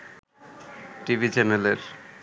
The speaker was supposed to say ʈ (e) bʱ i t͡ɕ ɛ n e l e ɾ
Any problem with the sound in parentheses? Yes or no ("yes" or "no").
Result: yes